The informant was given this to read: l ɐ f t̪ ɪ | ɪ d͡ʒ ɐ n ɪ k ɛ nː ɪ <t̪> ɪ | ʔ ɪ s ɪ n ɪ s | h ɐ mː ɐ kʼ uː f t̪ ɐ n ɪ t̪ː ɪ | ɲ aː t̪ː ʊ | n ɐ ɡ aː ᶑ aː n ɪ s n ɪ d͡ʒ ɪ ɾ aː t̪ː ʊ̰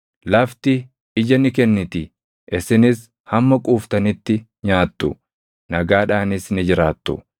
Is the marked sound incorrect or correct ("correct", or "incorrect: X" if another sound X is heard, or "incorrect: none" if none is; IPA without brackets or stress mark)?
correct